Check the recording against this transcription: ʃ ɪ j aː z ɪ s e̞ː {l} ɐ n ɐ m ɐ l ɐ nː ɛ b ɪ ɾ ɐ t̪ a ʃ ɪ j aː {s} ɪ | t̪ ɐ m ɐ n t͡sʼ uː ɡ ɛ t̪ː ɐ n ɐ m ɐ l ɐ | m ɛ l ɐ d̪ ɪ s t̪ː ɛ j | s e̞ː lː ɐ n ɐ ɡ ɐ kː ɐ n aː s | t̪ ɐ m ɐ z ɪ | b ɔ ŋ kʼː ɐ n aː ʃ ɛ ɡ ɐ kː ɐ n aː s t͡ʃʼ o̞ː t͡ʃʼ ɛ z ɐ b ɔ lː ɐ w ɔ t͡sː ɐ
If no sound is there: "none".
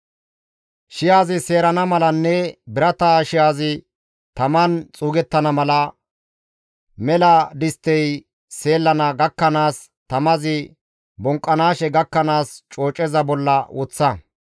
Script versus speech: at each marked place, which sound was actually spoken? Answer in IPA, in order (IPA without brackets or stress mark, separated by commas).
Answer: ɾ, z